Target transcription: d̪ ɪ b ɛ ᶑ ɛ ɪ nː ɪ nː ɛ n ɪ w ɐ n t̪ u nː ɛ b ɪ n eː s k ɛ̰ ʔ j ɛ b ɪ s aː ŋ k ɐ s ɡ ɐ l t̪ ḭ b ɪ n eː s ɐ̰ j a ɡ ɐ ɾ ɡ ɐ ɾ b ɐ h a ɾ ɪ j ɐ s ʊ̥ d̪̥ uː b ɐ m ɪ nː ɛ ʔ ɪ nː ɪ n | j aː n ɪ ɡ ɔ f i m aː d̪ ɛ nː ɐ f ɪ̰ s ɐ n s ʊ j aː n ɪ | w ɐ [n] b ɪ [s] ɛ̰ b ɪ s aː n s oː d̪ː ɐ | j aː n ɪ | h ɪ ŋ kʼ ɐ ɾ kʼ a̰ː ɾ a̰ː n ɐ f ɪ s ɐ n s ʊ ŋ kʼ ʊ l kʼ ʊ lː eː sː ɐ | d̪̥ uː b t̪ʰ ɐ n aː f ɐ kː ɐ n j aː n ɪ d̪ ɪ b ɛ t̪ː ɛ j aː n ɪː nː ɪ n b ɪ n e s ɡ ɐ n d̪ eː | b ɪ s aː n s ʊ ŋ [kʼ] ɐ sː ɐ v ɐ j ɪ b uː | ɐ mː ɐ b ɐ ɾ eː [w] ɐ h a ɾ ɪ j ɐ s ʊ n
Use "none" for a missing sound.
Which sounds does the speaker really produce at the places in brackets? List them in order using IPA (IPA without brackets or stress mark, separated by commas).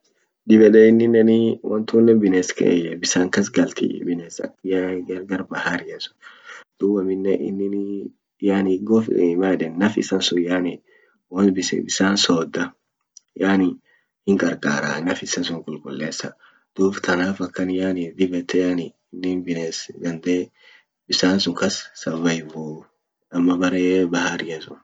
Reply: n, s, k, b